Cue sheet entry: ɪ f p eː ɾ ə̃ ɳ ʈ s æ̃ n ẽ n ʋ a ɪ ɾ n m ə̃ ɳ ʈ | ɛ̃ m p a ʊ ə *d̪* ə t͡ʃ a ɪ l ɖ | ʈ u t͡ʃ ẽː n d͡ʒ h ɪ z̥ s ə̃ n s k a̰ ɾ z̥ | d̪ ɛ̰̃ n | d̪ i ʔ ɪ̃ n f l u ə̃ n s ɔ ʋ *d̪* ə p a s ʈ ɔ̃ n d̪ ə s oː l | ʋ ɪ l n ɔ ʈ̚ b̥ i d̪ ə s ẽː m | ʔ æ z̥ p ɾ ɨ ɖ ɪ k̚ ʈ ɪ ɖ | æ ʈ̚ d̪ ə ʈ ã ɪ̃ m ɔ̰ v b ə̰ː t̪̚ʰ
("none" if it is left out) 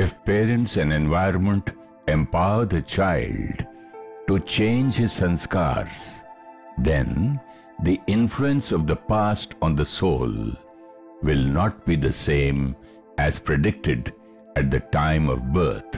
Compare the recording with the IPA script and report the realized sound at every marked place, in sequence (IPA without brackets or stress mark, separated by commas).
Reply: d̪, d̪